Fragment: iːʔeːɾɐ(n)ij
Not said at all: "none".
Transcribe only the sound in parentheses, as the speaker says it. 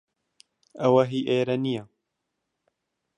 n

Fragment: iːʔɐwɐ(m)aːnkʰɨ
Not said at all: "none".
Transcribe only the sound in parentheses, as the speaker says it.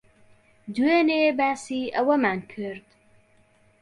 m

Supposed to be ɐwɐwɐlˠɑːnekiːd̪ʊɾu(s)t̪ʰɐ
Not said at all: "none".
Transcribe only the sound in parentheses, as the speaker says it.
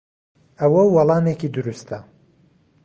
s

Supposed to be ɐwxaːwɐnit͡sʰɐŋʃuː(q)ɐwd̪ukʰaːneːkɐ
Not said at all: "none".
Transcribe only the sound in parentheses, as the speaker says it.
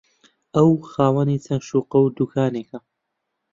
q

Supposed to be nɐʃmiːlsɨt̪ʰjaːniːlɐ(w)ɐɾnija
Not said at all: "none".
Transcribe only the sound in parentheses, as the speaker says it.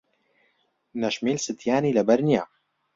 b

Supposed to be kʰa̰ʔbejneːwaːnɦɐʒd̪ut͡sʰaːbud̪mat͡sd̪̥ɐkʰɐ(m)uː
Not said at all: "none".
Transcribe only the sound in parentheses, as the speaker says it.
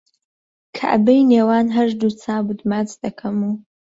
m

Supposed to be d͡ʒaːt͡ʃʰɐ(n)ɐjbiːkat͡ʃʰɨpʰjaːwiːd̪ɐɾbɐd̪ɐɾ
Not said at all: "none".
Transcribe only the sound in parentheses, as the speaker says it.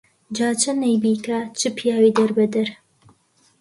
n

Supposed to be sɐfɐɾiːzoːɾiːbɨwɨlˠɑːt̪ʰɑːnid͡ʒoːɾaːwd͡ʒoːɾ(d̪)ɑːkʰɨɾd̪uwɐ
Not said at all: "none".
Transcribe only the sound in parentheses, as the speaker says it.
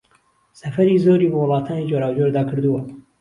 d̪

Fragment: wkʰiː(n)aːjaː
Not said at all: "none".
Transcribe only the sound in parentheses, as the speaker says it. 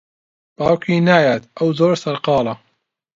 n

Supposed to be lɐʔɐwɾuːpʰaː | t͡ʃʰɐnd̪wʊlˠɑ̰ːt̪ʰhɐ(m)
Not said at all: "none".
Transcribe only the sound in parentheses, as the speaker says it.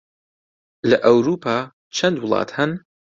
n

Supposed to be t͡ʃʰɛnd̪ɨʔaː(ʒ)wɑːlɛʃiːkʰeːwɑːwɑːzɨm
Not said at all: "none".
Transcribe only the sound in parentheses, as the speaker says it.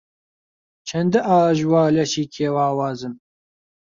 ʒ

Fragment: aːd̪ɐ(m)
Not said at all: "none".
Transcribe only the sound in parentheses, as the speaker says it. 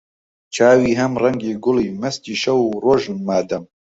m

